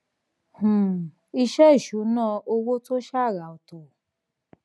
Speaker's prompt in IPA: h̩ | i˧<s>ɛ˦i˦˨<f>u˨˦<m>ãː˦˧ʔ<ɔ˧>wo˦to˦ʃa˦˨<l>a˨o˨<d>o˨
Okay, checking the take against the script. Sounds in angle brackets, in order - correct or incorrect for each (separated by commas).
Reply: incorrect, incorrect, incorrect, incorrect, incorrect, incorrect